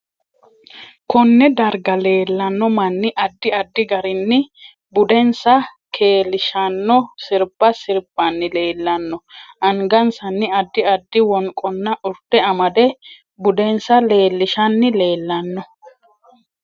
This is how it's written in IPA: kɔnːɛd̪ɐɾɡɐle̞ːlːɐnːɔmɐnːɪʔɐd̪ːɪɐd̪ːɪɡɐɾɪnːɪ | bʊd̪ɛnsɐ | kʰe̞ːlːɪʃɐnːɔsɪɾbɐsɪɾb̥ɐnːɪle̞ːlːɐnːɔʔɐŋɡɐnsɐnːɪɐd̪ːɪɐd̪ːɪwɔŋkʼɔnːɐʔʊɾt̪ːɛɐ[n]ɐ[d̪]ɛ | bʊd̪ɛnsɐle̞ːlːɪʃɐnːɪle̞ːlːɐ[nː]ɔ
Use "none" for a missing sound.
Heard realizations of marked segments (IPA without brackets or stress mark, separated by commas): m, d̪, nː